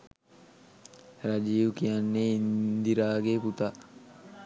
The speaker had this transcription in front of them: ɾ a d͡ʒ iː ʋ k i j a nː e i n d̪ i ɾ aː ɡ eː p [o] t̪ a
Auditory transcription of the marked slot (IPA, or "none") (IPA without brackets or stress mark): u